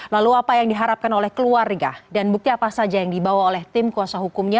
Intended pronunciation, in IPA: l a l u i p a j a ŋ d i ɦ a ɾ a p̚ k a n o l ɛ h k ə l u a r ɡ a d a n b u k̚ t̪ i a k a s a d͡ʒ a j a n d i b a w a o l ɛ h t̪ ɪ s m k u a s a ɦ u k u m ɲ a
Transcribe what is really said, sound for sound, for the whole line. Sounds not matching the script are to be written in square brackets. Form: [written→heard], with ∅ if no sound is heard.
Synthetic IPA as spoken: l a l u [i→a] p a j a ŋ d i ɦ a ɾ a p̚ k a n o l ɛ h k ə l u a r ɡ a d a n b u k̚ t̪ i a [k→p] a s a d͡ʒ a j a [n→ŋ] d i b a w a o l ɛ h t̪ ɪ [s→∅] m k u a s a ɦ u k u m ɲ a